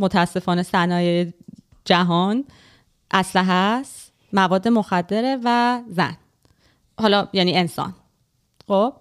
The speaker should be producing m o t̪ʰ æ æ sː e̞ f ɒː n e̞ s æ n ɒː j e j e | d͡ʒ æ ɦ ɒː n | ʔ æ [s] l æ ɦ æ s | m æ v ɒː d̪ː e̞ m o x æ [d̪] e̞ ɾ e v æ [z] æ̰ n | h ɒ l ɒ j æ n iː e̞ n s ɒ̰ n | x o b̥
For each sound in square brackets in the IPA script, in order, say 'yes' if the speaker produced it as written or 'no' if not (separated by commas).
yes, no, yes